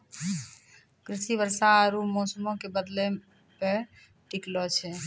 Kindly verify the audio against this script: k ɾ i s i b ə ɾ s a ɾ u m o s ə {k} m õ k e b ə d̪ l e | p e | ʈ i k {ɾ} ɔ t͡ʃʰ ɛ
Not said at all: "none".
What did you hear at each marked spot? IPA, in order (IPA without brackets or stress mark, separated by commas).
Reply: none, l